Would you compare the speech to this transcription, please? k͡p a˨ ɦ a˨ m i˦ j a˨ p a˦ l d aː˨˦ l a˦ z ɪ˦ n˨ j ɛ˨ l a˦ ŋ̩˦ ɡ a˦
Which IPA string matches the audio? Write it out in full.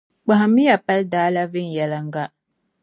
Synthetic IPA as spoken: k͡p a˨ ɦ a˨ m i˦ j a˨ p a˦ l d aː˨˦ l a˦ v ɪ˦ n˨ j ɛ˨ l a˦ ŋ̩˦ ɡ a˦